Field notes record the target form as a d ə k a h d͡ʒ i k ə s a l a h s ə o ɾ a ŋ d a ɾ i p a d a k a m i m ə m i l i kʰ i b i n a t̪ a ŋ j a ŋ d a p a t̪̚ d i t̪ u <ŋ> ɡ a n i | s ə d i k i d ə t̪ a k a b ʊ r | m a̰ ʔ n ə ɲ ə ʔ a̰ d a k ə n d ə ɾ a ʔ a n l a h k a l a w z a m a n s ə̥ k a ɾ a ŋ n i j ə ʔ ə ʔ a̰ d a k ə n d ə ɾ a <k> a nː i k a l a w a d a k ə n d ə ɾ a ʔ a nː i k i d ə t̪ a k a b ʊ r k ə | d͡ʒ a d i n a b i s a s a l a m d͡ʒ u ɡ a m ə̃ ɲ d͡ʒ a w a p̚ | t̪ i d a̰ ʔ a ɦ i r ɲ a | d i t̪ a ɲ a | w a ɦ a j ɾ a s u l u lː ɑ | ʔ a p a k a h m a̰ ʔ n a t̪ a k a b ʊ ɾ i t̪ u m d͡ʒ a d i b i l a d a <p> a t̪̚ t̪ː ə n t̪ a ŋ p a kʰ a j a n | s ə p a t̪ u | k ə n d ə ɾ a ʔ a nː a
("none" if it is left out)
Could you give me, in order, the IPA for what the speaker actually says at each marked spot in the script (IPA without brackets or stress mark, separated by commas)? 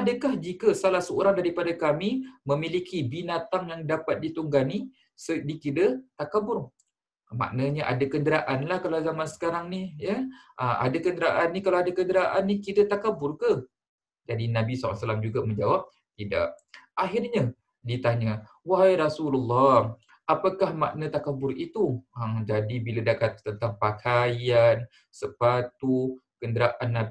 ŋ, ʔ, k